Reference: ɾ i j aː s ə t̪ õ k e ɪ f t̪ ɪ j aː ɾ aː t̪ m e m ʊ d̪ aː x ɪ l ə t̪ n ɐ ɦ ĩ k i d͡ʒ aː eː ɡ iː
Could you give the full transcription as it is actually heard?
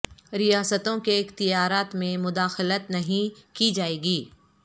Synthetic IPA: ɾ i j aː s ə t̪ õ k e ɪ x t̪ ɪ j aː ɾ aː t̪ m ẽ m ʊ d̪ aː x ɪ l ə t̪ n ɐ ɦ ĩ k i d͡ʒ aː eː ɡ iː